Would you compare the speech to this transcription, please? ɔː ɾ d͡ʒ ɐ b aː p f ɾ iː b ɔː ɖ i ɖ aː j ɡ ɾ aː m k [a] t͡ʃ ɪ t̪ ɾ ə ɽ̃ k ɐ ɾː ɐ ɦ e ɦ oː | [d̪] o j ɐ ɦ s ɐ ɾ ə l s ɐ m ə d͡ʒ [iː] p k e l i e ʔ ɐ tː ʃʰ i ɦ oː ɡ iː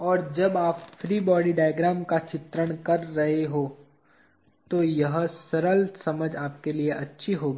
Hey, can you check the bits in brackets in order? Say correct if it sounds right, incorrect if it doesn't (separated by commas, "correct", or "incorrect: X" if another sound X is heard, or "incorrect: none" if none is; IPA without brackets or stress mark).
correct, incorrect: t̪, incorrect: aː